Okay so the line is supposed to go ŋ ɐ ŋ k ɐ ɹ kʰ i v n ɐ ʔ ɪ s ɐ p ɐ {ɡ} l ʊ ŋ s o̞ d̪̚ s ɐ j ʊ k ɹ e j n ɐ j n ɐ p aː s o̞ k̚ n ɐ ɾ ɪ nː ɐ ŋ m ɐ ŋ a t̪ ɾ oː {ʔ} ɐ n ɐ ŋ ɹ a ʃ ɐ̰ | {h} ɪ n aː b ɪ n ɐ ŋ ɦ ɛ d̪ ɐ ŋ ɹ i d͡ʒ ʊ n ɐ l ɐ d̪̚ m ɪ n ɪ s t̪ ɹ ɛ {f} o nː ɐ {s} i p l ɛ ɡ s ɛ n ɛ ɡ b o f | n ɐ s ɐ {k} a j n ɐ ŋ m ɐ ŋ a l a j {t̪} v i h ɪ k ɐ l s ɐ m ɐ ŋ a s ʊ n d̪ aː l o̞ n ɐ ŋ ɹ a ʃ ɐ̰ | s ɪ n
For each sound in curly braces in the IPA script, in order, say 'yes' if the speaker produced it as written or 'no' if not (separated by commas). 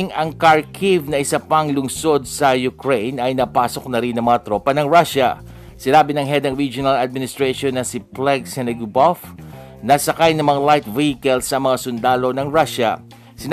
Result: no, no, no, no, yes, yes, yes